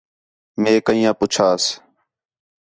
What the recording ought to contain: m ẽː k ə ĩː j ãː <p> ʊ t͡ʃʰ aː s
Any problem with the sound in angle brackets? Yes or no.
no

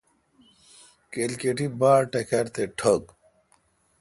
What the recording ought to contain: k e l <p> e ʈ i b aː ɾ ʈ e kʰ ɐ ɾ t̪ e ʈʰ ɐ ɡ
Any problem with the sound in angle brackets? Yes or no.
yes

